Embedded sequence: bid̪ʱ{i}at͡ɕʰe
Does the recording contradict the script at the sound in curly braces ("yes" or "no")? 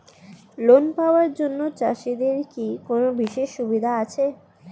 yes